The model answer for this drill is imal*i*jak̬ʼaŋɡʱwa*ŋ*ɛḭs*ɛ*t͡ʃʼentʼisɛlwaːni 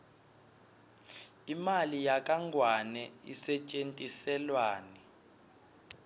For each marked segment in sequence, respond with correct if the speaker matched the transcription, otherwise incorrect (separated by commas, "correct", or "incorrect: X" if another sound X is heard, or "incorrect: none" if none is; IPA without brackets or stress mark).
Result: correct, incorrect: n, correct